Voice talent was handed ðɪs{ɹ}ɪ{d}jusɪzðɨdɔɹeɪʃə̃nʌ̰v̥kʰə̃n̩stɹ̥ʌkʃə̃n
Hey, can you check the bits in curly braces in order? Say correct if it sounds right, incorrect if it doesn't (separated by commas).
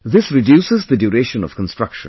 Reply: correct, correct